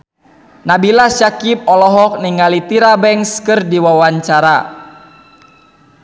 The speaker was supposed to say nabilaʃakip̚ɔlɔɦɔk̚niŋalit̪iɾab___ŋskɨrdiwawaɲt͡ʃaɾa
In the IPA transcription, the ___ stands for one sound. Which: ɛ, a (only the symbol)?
ɛ